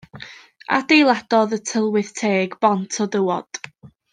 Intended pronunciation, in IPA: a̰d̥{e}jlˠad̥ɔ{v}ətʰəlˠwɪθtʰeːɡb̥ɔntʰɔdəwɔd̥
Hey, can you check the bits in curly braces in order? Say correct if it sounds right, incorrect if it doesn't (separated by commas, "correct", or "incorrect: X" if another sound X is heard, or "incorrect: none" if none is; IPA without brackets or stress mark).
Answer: correct, incorrect: ð